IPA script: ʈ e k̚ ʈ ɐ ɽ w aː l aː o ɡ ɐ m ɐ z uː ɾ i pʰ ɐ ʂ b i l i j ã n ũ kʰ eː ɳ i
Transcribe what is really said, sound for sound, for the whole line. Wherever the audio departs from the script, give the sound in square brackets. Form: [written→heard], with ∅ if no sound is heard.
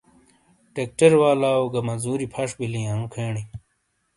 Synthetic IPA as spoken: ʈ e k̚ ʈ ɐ [ɽ→ɾ] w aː l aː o ɡ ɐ m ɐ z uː ɾ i pʰ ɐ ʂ b i l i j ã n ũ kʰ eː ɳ i